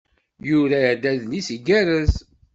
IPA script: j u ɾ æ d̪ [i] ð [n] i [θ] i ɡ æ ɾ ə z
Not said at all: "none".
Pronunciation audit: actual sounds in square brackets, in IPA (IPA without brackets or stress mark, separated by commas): æ, n, s